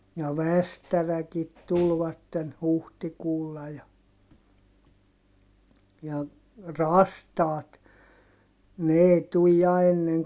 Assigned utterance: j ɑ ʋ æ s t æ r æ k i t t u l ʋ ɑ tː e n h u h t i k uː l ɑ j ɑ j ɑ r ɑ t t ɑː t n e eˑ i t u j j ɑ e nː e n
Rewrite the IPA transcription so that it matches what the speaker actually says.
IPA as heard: j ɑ ʋ æ s t æ r æ k i t t u l ʋ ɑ tː e n h u h t i k uː lː ɑ j ɑ j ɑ r ɑ s t ɑː t n e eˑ i t u j j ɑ e nː e ŋ